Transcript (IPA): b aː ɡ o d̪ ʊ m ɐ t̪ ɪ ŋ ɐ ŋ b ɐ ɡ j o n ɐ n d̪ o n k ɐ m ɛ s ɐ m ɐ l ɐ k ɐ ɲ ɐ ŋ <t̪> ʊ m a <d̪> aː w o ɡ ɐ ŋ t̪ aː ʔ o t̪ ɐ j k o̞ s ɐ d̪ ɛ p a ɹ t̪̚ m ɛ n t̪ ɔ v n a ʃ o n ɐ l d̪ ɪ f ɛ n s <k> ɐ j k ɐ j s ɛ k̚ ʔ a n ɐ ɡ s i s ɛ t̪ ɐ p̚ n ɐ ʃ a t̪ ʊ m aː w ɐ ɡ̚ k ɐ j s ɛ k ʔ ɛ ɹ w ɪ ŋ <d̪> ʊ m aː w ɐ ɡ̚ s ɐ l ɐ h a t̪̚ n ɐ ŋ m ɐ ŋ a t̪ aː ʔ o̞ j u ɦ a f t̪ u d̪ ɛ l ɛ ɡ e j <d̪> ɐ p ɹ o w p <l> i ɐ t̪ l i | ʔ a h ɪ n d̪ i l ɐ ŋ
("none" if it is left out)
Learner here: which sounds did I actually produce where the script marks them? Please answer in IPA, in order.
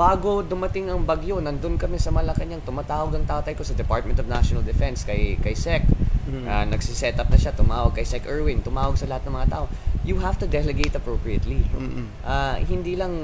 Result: t̪, t̪, k, t̪, t̪, ɹ

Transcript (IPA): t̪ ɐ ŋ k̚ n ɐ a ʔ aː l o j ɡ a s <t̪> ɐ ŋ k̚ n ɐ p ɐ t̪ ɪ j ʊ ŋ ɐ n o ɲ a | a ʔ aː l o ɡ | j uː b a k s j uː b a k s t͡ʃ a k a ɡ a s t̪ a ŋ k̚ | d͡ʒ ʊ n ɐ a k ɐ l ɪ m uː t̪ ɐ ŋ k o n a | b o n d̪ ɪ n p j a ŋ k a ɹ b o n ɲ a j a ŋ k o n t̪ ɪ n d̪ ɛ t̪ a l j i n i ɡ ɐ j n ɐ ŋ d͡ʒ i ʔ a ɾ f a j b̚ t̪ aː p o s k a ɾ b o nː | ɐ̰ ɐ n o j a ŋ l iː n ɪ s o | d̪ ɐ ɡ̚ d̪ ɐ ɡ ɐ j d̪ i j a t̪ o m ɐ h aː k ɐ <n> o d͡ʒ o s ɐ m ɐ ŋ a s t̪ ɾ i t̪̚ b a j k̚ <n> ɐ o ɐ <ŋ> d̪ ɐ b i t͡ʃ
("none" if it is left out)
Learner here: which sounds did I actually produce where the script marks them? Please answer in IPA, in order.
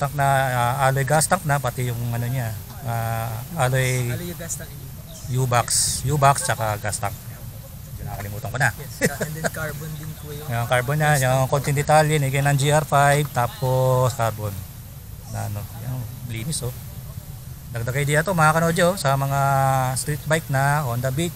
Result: t̪, n, n, n

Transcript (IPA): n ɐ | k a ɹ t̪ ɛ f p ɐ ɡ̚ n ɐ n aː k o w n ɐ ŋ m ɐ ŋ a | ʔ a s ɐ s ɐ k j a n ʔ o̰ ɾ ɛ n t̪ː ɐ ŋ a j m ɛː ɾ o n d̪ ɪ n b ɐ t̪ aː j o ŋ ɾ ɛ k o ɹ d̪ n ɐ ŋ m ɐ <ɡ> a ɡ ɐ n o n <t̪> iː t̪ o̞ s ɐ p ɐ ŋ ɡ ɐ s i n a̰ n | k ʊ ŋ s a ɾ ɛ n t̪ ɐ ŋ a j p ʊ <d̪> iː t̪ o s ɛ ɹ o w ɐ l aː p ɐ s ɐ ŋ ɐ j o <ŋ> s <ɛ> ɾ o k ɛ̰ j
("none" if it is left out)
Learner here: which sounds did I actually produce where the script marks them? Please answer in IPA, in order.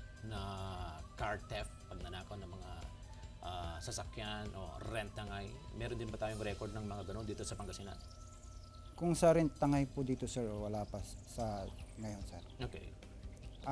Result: ŋ, d̪, d̪, n, ɛ

